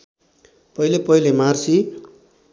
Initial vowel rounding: unrounded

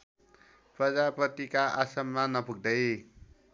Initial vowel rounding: unrounded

